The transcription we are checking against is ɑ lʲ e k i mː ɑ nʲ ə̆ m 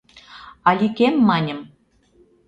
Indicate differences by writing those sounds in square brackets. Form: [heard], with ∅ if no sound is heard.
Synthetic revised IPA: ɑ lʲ [i] k [e] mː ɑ nʲ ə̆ m